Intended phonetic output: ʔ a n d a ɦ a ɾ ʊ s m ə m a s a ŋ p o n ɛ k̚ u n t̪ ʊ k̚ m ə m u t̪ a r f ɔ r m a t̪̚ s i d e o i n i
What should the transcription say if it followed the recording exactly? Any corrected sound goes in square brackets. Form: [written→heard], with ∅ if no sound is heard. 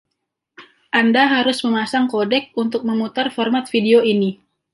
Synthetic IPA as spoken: ʔ a n d a ɦ a ɾ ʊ s m ə m a s a ŋ [p→k] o [n→d] ɛ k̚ u n t̪ ʊ k̚ m ə m u t̪ a r f ɔ r m a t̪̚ [s→f] i d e o i n i